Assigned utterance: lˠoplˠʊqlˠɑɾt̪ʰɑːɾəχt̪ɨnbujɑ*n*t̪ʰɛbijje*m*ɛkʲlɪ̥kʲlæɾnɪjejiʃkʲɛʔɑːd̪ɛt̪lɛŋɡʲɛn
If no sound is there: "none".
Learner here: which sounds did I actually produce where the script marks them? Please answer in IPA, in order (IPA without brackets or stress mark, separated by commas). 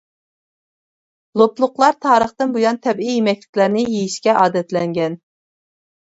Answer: n, m